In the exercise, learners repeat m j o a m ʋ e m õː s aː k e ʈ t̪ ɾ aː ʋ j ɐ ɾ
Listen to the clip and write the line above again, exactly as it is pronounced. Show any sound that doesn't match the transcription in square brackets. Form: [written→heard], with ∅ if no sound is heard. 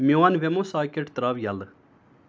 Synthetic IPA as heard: m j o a [m→n] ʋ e m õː s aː k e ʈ t̪ ɾ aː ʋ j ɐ [ɾ→l]